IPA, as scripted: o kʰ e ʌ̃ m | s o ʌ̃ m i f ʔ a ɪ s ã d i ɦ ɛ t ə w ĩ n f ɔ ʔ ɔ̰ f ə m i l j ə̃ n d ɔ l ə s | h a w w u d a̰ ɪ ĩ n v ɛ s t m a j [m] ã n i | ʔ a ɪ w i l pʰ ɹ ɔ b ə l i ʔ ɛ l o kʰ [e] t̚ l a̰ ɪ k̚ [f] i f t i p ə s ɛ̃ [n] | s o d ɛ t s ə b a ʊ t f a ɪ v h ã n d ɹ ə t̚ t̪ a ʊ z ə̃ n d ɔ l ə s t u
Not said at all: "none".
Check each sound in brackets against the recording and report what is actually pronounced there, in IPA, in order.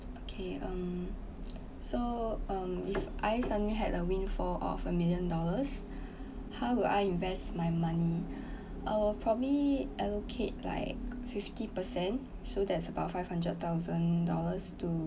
m, e, f, n

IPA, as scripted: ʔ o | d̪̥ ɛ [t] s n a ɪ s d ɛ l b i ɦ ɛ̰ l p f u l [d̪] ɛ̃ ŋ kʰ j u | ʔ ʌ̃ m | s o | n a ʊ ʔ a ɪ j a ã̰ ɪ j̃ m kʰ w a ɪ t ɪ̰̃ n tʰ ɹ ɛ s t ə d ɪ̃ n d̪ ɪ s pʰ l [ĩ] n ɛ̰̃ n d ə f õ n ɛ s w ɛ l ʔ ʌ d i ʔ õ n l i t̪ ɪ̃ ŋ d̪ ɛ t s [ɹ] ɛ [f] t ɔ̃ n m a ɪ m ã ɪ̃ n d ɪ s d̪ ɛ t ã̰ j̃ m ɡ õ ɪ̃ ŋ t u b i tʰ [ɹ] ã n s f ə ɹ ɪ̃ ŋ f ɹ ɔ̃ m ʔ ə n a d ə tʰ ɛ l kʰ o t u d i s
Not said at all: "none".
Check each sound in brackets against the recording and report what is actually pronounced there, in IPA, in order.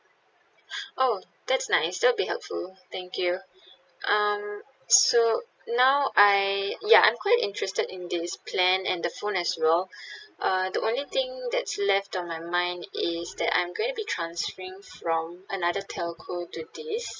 t, t̪, ɛ̃, l, f, ɹ

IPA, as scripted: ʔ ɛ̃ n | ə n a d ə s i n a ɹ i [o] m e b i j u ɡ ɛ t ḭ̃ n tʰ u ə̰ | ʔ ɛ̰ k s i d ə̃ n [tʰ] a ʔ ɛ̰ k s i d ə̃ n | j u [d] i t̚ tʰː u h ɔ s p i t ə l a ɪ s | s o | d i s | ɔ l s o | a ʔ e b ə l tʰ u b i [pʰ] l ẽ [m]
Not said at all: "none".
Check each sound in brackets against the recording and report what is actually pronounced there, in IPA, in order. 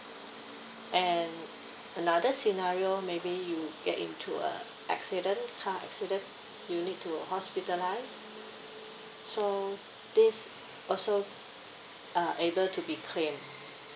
o, kʰ, n, kʰ, m

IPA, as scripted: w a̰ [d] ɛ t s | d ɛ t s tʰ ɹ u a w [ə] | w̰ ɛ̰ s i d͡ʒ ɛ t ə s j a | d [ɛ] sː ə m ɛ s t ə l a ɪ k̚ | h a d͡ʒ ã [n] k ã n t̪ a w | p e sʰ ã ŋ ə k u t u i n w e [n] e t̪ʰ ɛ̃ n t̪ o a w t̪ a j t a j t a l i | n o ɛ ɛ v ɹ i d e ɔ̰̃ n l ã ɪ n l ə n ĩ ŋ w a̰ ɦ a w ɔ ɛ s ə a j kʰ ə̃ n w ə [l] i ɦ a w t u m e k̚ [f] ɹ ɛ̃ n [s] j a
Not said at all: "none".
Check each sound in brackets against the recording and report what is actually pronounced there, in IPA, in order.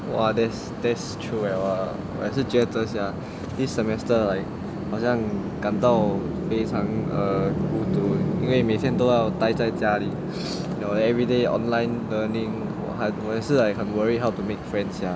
d, a, i, ŋ, m, ɹ, f, s

